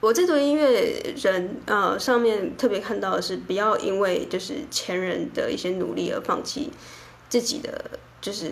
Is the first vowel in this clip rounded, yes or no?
yes